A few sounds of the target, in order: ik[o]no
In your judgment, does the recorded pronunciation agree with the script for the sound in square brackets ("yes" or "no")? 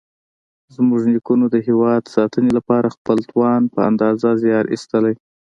no